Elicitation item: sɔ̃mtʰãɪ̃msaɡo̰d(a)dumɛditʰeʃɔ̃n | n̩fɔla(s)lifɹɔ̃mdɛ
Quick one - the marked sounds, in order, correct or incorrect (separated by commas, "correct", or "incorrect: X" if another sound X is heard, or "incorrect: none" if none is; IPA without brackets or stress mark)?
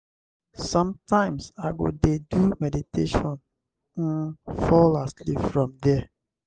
incorrect: e, correct